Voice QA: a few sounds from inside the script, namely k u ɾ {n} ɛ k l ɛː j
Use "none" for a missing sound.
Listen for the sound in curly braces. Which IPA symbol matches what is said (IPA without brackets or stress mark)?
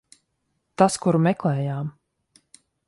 m